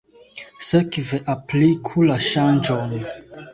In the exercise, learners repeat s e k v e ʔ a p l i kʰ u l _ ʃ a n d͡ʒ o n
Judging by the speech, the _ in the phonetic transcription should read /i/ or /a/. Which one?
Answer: a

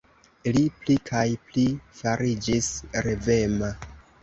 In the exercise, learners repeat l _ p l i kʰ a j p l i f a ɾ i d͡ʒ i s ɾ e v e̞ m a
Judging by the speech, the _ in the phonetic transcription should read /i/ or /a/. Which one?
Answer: i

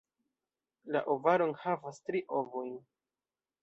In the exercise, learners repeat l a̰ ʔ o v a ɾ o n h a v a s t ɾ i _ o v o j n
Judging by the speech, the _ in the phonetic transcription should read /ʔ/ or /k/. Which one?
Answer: ʔ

